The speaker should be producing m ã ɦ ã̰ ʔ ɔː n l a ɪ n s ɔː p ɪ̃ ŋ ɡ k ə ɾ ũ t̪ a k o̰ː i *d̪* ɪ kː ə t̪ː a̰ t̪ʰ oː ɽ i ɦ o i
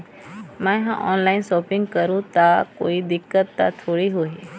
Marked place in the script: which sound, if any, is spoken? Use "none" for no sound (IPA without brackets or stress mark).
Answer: d̪